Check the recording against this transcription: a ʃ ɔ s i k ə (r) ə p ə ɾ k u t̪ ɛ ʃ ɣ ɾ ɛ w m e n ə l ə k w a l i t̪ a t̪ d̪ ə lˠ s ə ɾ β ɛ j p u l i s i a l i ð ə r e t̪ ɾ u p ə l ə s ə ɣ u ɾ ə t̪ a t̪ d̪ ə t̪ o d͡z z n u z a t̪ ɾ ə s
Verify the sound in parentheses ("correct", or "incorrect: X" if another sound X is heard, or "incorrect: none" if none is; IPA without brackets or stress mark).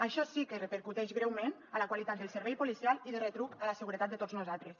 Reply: correct